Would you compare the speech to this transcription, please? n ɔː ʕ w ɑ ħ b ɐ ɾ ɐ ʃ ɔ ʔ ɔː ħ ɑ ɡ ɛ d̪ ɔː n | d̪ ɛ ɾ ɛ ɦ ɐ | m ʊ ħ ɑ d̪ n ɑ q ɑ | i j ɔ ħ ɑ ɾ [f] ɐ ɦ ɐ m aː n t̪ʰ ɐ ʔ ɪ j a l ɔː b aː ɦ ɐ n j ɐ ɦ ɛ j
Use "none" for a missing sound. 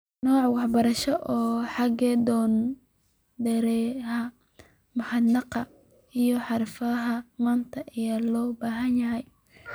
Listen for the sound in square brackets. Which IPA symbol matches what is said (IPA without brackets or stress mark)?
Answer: f